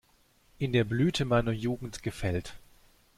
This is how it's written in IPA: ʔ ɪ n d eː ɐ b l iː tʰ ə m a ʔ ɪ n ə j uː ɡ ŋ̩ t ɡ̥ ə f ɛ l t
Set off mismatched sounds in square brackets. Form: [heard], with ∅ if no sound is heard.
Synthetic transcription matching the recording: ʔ ɪ n d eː ɐ b l [yː] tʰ ə m a [∅] ɪ n [ɐ] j uː ɡ ŋ̩ t ɡ̥ ə f ɛ l t